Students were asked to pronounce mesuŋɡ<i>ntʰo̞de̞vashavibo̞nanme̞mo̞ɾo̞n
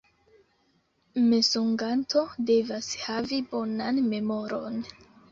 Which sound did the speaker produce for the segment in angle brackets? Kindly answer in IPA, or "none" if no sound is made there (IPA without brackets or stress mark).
a